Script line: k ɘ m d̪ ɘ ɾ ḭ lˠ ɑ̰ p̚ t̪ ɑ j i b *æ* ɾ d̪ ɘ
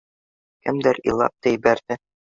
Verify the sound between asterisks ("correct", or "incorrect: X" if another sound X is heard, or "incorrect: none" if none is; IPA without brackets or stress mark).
correct